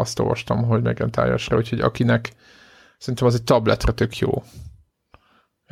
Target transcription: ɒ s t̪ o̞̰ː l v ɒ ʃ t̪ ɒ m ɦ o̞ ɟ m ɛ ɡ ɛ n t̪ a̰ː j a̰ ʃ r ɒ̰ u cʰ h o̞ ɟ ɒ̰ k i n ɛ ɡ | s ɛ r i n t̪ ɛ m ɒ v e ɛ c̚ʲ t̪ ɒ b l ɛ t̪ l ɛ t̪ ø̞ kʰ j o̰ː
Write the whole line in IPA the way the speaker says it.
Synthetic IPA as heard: ɒ s t̪ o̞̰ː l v ɒ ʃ t̪ ɒ m ɦ o̞ ɟ m ɛ ɡ ɛ n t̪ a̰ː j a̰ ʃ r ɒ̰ u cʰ h o̞ ɟ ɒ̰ k i n ɛ k | s ɛ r i n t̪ ɛ m ɒ z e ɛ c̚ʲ t̪ ɒ b l ɛ t̪ r ɛ t̪ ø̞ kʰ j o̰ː